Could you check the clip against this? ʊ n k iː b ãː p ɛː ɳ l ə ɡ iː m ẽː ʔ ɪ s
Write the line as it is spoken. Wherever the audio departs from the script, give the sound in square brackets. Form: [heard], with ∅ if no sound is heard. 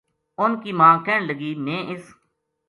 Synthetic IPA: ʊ n k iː [m] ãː [k] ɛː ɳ l ə ɡ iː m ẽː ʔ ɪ s